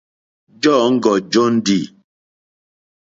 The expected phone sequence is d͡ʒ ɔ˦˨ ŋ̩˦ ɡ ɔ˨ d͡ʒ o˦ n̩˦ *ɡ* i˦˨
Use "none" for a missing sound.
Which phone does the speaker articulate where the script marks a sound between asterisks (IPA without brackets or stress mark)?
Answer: d